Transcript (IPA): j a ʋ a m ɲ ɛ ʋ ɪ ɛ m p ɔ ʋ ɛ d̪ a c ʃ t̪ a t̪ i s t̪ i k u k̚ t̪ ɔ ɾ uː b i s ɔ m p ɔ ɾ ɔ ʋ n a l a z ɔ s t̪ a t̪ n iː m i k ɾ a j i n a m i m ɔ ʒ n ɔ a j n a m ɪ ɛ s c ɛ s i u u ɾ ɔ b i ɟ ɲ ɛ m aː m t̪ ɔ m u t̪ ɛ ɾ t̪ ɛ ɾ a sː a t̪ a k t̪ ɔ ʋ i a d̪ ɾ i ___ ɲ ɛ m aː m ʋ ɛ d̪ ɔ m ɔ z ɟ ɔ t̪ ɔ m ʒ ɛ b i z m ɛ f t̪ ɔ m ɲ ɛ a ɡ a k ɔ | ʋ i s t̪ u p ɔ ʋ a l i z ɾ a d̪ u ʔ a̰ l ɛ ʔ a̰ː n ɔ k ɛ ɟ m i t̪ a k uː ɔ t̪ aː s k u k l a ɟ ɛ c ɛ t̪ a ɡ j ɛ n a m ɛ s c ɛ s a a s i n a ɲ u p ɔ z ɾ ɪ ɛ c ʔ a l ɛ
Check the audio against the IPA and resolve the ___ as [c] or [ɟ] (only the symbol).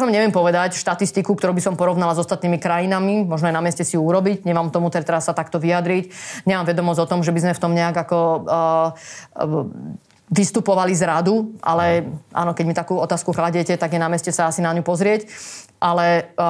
c